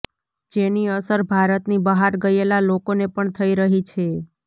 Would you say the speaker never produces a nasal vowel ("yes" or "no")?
yes